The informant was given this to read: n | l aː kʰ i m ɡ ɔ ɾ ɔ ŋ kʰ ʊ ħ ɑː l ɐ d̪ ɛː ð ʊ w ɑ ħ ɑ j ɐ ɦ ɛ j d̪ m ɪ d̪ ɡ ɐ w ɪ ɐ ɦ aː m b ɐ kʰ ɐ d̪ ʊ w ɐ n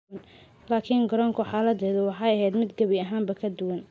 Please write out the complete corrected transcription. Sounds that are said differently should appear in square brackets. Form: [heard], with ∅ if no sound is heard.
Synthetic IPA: n | l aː kʰ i [ŋ] ɡ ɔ ɾ ɔ ŋ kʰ ʊ ħ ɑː l ɐ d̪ ɛː ð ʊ w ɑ ħ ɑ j ɐ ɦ ɛ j d̪ m ɪ d̪ ɡ ɐ [β] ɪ ɐ ɦ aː m b ɐ kʰ ɐ d̪ ʊ w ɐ n